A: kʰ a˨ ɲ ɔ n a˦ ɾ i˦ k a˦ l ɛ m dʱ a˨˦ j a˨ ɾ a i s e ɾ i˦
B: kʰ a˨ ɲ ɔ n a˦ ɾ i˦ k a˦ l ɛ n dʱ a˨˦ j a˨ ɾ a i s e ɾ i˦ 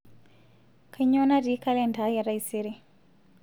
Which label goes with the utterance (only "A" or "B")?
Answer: B